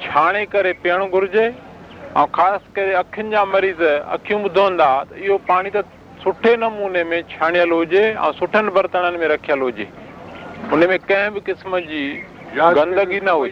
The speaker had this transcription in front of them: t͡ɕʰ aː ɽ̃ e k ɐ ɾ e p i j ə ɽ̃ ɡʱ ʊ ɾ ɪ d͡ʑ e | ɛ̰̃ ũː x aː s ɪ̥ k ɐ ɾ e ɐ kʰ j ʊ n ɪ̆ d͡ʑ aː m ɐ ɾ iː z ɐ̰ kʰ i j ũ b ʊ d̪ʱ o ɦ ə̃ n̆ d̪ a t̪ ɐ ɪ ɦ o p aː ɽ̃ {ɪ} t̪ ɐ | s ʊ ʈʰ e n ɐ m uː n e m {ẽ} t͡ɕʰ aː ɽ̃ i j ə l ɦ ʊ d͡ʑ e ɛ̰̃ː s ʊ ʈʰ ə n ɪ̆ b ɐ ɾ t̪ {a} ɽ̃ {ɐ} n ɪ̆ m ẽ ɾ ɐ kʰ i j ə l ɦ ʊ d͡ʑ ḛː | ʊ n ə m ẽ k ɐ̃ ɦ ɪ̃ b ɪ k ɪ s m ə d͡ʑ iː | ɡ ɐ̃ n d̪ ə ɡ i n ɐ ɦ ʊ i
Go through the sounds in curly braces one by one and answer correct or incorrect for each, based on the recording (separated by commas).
incorrect, correct, incorrect, incorrect